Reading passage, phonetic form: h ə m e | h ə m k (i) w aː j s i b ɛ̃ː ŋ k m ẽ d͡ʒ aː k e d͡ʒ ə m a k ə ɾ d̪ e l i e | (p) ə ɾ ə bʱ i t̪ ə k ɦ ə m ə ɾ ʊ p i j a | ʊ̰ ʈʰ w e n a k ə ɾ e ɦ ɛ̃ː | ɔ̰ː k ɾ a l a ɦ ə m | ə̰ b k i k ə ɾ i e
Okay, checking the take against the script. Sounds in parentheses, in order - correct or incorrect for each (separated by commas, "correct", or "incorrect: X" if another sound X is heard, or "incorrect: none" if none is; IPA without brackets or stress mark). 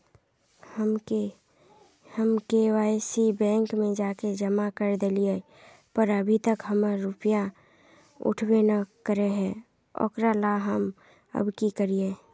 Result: incorrect: e, correct